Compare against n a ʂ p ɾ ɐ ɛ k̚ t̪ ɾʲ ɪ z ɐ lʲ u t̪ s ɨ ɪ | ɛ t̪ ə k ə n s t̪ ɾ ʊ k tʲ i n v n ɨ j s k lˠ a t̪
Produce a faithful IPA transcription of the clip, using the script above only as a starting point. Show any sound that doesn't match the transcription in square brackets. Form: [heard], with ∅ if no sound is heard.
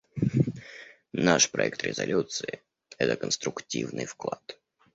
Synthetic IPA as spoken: n a ʂ p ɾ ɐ ɛ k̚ t̪ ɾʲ ɪ z ɐ lʲ u t̪ s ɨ ɪ | ɛ t̪ ə k ə n s t̪ ɾ ʊ k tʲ i [∅] v n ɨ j [f] k lˠ a t̪